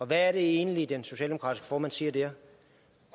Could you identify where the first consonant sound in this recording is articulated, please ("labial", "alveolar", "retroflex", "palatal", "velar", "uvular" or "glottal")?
labial